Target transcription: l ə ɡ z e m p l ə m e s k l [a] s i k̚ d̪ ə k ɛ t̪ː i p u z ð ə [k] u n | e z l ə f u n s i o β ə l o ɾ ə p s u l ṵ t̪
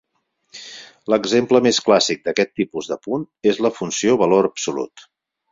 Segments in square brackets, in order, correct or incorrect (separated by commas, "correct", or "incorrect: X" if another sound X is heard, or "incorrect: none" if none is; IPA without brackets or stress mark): correct, incorrect: p